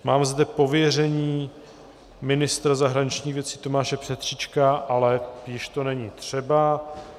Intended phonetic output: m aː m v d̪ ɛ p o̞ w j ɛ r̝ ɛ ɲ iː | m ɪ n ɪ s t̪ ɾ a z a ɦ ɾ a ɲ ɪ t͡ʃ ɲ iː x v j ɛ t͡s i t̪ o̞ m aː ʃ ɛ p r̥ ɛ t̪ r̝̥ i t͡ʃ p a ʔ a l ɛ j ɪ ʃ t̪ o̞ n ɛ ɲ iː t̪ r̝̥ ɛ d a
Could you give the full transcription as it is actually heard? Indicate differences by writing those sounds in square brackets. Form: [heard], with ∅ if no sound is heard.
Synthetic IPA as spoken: m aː m [z] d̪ ɛ p o̞ [v] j ɛ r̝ ɛ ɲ iː | m ɪ n ɪ s t̪ ɾ a z a ɦ ɾ a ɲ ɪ t͡ʃ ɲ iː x v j ɛ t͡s i t̪ o̞ m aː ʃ ɛ p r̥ ɛ t̪ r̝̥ i t͡ʃ [k] a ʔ a l ɛ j ɪ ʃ t̪ o̞ n ɛ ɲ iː t̪ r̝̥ ɛ [b] a